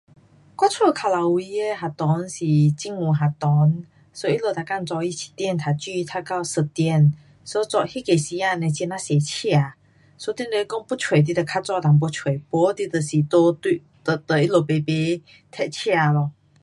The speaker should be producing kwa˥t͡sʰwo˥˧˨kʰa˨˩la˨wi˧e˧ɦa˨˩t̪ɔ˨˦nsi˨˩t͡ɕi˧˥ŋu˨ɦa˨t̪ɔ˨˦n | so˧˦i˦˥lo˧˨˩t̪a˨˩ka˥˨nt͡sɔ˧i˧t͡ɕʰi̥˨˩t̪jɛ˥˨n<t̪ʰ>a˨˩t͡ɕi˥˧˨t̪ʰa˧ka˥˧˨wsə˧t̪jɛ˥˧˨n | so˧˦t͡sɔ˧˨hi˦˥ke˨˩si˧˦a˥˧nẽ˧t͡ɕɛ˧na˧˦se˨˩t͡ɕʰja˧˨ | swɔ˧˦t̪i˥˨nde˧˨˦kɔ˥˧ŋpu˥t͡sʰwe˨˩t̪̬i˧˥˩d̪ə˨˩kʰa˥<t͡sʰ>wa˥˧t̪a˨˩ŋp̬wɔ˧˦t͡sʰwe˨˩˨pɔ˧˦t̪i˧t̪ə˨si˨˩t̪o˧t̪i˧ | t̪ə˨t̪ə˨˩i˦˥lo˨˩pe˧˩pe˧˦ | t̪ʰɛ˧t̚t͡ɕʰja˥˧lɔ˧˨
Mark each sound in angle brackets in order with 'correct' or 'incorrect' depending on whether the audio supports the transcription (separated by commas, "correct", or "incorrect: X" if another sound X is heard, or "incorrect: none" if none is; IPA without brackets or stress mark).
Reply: correct, incorrect: t͡s